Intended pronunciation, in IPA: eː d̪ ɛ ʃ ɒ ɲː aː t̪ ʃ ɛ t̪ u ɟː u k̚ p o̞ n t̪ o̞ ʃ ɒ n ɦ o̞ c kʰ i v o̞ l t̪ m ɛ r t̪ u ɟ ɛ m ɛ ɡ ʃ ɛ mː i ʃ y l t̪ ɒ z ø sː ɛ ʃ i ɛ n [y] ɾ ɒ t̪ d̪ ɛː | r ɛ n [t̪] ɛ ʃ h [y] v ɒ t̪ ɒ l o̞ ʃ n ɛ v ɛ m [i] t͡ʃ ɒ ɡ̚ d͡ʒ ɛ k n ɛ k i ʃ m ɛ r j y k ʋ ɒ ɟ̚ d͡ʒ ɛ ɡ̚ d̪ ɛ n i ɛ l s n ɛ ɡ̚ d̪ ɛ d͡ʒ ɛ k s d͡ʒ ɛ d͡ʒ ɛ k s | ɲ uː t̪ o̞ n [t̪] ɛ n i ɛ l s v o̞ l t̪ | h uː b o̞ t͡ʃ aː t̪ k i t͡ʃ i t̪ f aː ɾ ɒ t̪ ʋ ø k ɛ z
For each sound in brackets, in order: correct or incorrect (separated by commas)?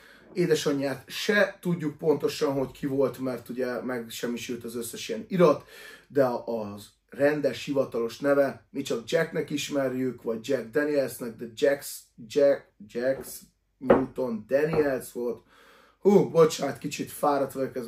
incorrect, incorrect, incorrect, correct, incorrect